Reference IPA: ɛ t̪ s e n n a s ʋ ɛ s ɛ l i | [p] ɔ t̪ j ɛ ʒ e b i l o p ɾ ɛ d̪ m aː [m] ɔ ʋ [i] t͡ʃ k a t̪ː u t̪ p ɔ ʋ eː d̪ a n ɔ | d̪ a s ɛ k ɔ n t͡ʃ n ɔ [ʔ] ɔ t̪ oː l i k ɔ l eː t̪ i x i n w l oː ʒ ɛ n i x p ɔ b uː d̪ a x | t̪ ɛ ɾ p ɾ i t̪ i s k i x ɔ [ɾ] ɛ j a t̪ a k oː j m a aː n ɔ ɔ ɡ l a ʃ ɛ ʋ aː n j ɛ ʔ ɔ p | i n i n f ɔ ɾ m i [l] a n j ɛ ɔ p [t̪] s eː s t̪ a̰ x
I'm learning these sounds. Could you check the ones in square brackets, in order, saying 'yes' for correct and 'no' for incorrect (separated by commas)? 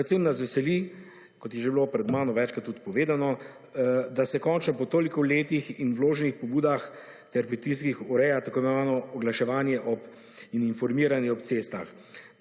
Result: no, no, no, no, yes, no, yes